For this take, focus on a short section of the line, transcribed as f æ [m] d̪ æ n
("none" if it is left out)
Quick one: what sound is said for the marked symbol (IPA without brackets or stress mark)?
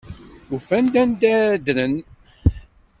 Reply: n